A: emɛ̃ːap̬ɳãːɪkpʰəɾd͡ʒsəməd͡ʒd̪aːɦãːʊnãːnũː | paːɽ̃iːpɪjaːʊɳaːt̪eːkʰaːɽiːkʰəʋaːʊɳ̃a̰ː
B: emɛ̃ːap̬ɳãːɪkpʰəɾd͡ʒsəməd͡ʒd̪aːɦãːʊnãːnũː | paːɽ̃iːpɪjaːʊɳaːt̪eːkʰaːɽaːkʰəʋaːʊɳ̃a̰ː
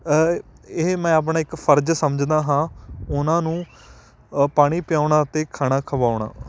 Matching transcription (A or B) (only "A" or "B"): B